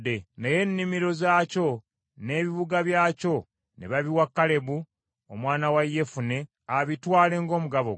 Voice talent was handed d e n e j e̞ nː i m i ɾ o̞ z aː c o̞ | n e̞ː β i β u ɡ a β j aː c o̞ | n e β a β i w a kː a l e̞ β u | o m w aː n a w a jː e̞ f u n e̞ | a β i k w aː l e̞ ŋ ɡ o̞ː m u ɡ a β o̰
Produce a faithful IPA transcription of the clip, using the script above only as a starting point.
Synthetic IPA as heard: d e n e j e̞ nː i m i ɾ o̞ z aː c o̞ | n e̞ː β i β u ɡ a β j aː c o̞ | n e β a β i w a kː a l e̞ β u | o m w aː n a w a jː e̞ f u n e̞ | a β i t w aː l e̞ ŋ ɡ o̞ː m u ɡ a β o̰